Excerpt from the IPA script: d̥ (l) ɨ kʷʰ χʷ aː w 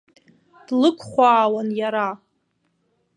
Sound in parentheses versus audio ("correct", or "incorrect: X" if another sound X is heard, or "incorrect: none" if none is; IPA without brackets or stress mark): correct